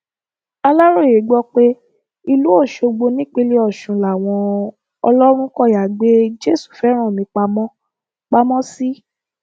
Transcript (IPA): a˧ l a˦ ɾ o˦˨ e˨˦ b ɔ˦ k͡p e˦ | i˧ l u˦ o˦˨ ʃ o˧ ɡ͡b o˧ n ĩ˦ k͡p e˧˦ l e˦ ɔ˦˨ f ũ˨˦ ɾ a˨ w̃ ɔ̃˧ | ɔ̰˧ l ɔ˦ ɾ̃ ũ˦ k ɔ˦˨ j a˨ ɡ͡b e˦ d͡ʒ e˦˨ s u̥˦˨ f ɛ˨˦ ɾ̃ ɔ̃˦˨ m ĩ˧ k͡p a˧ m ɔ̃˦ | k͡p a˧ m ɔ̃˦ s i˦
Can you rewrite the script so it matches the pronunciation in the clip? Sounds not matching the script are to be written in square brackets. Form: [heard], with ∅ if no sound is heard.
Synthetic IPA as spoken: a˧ l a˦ ɾ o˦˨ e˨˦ [ɡ͡b] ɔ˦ k͡p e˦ | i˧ l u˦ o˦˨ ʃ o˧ ɡ͡b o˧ n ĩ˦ k͡p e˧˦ l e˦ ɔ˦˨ [ʃ] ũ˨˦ [l] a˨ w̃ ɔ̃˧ | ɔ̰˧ l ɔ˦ ɾ̃ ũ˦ k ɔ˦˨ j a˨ ɡ͡b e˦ d͡ʒ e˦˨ s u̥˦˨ f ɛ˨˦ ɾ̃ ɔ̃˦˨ m ĩ˧ k͡p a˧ m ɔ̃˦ | k͡p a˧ m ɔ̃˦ s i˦